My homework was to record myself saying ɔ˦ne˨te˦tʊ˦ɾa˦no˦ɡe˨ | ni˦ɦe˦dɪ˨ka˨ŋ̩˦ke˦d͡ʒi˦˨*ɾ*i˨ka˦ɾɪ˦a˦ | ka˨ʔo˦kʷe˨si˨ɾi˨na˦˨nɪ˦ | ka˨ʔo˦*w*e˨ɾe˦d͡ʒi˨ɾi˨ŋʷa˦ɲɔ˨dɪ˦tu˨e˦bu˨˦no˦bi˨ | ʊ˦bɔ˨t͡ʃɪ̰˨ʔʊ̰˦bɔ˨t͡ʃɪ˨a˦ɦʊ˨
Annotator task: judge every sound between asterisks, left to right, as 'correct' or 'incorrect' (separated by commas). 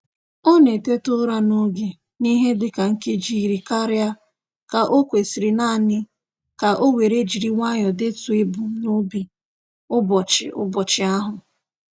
correct, correct